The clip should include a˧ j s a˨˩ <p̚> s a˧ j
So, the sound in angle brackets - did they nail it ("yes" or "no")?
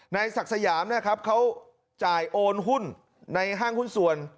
no